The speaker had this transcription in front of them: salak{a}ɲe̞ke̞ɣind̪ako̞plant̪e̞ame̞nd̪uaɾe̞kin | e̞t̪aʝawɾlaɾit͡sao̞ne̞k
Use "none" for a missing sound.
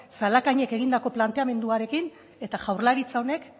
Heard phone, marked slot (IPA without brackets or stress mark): a